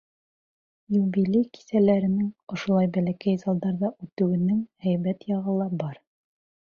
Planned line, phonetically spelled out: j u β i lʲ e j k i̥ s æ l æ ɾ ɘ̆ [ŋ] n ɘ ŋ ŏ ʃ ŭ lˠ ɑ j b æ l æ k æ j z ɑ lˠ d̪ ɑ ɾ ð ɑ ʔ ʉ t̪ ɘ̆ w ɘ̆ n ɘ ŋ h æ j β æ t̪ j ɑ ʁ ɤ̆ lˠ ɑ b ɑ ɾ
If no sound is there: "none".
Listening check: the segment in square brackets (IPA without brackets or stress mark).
none